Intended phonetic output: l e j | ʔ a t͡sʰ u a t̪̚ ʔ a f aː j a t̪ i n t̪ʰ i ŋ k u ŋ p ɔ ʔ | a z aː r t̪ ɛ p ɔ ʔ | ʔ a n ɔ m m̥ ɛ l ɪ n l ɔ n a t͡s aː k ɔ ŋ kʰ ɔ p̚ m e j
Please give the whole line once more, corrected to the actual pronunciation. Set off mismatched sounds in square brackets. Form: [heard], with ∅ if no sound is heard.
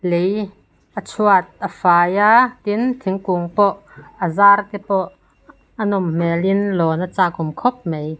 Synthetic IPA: l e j | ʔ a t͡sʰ u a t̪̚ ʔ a f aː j a t̪ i n t̪ʰ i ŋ k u ŋ p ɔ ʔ | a z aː r t̪ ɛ p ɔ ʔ | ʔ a n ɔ m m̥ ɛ l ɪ n l ɔ n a t͡s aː k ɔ [m] kʰ ɔ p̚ m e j